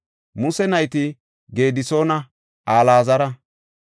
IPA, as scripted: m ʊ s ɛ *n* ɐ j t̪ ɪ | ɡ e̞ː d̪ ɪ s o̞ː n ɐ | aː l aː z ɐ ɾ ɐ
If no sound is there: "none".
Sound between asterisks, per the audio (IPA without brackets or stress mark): n